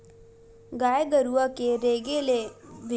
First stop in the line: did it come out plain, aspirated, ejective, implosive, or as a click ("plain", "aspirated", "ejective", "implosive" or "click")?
plain